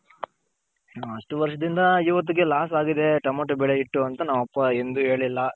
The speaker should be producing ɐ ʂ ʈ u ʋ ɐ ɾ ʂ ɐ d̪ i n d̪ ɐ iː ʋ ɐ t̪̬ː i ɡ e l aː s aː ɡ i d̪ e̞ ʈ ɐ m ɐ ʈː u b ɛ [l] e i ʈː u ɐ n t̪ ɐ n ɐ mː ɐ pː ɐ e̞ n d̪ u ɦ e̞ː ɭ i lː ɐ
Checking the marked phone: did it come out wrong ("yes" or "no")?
yes